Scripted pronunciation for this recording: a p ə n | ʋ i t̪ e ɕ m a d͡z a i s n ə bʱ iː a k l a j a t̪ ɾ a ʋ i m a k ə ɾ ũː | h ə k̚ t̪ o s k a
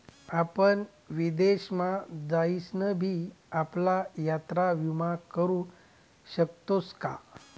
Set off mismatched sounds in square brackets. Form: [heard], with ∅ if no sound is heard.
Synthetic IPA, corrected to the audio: a p ə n | ʋ i [d̪] e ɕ m a d͡z a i s n ə bʱ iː a [p] l a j a t̪ ɾ a ʋ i m a k ə ɾ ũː | [ɕ] ə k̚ t̪ o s k a